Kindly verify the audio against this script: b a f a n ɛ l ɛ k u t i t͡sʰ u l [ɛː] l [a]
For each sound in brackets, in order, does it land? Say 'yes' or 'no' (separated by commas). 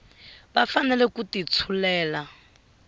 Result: yes, yes